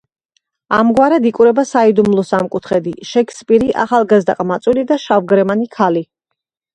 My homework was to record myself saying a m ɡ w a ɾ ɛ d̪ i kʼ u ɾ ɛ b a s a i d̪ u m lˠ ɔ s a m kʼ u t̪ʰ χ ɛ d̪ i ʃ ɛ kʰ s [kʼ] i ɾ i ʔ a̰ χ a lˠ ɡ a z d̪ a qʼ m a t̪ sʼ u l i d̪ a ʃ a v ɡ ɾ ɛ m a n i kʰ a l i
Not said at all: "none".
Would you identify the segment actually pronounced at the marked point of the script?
pʼ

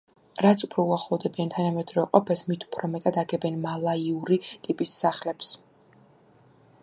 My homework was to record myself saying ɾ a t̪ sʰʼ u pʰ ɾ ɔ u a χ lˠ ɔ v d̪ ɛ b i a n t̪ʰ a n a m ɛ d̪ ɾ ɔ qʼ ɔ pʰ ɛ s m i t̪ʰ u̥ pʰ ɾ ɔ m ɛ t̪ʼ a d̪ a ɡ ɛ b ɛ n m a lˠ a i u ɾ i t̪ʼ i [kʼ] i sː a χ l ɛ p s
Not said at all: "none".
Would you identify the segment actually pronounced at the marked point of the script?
pʼ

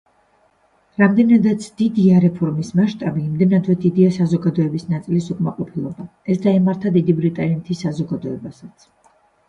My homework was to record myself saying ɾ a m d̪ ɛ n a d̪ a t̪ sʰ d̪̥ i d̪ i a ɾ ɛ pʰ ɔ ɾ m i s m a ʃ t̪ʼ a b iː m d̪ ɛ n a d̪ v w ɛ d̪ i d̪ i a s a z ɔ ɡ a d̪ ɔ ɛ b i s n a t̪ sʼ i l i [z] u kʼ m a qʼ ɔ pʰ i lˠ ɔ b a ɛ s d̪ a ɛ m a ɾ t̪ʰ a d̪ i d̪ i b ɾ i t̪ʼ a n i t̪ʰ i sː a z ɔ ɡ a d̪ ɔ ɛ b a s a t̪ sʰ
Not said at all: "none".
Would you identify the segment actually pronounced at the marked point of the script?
s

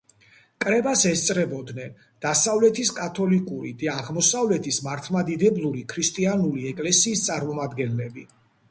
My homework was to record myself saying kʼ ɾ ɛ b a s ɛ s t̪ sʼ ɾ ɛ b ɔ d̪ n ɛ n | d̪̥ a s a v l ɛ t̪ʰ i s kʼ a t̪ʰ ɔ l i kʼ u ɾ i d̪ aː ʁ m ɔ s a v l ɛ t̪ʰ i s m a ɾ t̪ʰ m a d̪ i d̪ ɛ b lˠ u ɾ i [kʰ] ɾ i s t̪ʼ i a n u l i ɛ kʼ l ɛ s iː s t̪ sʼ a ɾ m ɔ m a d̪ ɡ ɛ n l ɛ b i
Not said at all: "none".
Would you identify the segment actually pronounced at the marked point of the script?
kʰ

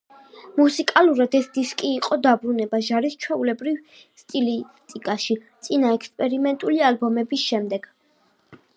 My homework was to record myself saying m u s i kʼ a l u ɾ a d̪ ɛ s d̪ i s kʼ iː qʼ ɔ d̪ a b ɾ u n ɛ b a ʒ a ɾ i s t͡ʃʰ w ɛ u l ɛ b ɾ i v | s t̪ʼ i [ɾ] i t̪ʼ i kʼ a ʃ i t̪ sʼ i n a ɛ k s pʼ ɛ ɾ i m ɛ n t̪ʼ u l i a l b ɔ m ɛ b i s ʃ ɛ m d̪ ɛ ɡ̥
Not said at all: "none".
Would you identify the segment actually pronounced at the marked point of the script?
l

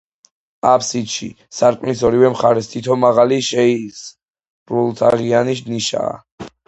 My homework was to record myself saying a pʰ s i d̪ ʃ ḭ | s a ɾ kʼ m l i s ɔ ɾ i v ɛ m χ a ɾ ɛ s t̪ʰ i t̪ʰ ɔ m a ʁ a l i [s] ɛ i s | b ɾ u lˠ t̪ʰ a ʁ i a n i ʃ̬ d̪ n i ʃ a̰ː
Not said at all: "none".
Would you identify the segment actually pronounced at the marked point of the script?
ʃ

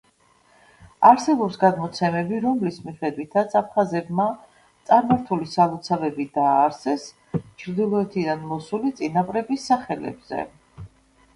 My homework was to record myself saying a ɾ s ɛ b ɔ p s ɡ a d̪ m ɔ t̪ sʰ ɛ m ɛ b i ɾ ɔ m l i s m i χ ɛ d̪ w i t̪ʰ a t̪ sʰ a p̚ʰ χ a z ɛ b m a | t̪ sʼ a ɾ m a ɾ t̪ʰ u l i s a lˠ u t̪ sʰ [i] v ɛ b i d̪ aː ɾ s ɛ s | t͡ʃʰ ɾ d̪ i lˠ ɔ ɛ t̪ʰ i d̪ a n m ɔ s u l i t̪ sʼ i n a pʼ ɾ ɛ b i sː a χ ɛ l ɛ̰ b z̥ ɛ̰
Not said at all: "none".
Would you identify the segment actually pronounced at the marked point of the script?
a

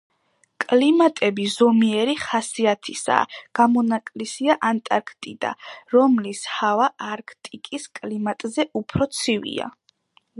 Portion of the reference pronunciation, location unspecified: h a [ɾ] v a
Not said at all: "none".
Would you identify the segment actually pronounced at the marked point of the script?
none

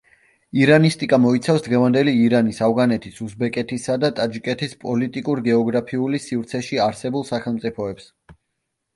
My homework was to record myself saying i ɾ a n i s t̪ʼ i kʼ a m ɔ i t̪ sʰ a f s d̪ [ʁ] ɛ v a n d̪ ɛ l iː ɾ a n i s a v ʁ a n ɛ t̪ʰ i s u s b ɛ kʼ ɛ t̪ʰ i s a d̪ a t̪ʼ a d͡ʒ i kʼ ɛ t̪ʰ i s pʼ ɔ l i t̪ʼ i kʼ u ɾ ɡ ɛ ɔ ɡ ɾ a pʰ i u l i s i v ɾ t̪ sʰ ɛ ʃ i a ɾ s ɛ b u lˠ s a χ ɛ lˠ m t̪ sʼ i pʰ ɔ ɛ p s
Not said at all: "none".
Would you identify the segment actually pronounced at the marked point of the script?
ʁ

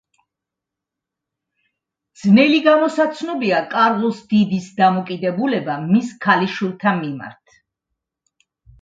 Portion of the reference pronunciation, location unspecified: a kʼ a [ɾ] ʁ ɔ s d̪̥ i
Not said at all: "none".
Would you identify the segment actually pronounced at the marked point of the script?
ɾ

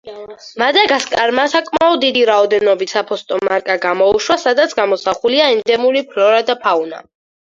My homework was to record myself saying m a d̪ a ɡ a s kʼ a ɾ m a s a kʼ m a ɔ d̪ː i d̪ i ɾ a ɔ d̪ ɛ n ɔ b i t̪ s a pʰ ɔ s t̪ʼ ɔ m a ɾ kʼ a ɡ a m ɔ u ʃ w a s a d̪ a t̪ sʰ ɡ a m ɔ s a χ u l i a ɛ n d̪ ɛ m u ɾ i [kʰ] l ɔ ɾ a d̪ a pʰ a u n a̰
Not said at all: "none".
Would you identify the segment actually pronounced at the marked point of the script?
pʰ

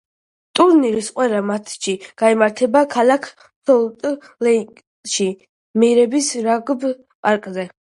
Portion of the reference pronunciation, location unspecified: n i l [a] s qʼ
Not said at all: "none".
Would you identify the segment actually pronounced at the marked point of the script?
i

